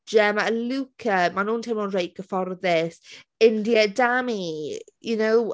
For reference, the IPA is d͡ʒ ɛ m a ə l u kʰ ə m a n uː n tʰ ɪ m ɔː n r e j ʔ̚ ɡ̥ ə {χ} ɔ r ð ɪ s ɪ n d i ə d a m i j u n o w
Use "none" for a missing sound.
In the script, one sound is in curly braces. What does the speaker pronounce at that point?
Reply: f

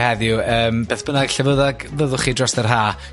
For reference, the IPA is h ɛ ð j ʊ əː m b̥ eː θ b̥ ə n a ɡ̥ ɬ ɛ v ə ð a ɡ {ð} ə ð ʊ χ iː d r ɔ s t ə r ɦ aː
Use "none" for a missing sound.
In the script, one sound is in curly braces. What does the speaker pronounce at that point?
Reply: v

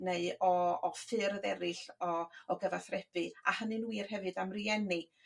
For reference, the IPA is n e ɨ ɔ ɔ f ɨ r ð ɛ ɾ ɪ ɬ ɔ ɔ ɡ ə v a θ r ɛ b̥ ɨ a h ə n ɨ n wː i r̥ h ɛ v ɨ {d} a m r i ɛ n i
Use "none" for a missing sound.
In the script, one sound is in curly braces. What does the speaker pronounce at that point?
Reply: d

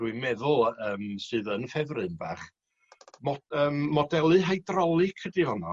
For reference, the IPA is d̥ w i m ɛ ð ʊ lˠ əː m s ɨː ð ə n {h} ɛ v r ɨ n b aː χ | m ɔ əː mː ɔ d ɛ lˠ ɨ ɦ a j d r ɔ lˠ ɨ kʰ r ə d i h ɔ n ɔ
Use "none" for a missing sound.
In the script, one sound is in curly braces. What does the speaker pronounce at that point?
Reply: f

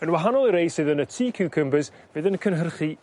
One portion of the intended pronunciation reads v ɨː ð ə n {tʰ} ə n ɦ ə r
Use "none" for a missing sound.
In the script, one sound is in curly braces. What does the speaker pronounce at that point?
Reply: kʰ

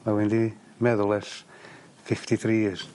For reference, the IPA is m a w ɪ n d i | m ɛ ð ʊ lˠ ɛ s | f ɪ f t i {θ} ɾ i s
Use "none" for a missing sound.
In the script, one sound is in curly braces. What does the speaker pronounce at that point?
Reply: θ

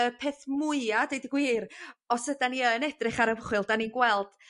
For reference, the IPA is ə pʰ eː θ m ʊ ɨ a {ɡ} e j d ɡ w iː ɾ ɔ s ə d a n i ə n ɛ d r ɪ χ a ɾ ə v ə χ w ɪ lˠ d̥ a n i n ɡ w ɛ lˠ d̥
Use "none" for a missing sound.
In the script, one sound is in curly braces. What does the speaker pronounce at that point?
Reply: d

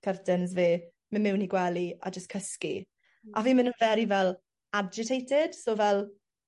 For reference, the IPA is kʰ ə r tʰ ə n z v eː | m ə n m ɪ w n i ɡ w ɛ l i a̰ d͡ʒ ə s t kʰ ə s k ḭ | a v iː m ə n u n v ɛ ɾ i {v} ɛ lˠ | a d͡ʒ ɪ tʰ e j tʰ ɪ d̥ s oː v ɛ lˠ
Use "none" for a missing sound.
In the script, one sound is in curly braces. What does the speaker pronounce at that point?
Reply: v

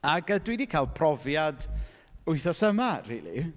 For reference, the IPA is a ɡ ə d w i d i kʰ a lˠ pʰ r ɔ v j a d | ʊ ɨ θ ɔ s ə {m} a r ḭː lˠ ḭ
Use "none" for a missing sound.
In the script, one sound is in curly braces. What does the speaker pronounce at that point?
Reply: m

